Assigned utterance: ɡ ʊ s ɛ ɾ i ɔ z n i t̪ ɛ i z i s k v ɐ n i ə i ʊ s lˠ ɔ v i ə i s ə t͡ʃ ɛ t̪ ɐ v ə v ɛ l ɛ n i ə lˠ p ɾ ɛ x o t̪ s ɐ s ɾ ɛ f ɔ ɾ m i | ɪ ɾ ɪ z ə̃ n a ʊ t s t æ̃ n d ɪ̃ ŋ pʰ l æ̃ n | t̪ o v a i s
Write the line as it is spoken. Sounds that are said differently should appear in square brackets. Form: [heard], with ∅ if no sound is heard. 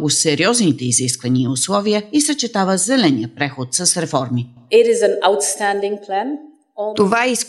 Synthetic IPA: ɡ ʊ s ɛ ɾ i ɔ z n i t̪ ɛ i z i s k v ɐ n i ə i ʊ s lˠ ɔ v i ə i s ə t͡ʃ ɛ t̪ [a] v ə [z] ɛ l ɛ n i ə [∅] p ɾ ɛ x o t̪ s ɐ s ɾ ɛ f ɔ ɾ m i | ɪ ɾ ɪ z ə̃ n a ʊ t s t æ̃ n d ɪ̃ ŋ pʰ l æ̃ n | t̪ o v a i s